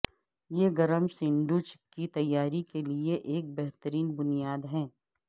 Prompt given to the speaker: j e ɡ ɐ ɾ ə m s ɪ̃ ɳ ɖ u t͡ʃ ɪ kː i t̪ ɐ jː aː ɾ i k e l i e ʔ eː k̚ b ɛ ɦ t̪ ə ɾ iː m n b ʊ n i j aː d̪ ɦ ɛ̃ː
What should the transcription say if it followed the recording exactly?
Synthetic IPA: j e ɡ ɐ ɾ ə m s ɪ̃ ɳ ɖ u t͡ʃ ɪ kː i t̪ ɐ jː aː ɾ i k e l i e ʔ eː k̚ b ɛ ɦ t̪ ə ɾ iː n b ʊ n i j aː d̪ ɦ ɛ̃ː